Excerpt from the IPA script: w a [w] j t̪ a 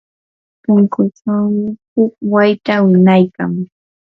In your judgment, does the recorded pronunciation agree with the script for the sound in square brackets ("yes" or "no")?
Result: no